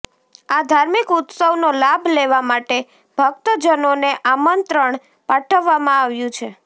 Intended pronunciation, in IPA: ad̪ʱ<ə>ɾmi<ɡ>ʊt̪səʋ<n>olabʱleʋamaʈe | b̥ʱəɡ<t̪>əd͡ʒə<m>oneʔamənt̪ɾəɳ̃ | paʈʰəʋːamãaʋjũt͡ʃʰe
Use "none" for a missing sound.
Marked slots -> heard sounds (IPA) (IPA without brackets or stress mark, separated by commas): a, k, n, t̪, n